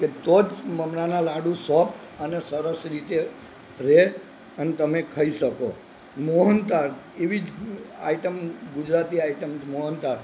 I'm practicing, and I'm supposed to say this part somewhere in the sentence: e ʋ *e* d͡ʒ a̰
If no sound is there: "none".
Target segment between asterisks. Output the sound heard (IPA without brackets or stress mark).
i